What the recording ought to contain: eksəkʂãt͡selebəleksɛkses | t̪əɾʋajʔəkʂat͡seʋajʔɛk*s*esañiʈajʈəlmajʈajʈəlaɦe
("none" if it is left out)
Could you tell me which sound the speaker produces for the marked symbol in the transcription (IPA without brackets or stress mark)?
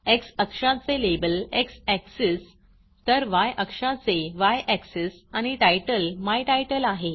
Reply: s